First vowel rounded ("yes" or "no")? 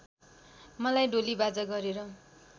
no